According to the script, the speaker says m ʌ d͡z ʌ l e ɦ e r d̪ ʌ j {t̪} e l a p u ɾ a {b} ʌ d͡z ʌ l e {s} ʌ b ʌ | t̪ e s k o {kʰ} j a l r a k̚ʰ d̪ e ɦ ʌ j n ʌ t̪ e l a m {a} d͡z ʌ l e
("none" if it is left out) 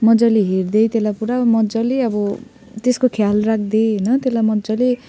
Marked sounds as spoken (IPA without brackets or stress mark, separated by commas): t̪, m, none, kʰ, ʌ